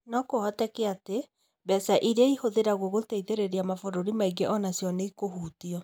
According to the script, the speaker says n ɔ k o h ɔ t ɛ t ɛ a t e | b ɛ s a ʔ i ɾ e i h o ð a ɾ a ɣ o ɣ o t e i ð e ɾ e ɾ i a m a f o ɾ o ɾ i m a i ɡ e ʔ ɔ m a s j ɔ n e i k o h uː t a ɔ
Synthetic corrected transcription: n ɔ k o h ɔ t ɛ k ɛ a t e | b ɛ s a ʔ i ɾ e i h o ð e ɾ a ɣ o ɣ o t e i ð e ɾ e ɾ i a m a f o ɾ o ɾ i m a i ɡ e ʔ ɔ n a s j ɔ n e i k o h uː t i ɔ